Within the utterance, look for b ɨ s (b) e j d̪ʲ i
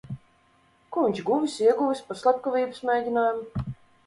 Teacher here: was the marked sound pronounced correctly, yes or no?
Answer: no